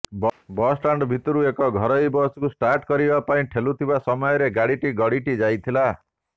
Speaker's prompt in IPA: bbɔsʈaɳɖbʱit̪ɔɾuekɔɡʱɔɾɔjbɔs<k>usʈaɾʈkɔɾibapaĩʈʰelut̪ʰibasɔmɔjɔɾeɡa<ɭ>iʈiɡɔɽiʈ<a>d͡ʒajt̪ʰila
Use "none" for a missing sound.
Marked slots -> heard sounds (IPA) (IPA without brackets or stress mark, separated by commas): k, ɽ, i